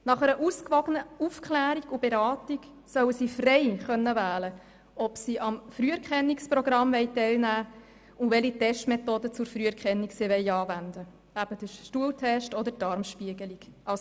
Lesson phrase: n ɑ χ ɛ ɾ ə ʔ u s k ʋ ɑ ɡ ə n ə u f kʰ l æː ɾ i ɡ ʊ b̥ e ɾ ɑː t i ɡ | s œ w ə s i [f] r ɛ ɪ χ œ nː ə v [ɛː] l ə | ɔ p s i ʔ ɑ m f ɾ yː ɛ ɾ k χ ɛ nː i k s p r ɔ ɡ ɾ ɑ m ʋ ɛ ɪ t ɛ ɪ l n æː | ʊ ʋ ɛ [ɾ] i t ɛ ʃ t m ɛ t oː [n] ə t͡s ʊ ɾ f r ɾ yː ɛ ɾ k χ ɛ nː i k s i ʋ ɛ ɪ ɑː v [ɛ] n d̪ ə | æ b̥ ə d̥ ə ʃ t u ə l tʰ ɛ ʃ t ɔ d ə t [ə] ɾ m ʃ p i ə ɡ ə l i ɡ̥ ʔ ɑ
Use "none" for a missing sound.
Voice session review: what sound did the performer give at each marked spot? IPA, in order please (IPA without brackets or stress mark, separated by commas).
f, æː, l, d, æ, ɑ